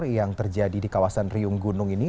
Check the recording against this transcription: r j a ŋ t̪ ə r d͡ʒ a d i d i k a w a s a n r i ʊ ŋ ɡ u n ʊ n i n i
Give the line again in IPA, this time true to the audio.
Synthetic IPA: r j a ŋ t̪ ə r d͡ʒ a d i d i k a w a s a n r i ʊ ŋ ɡ u n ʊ ŋ i n i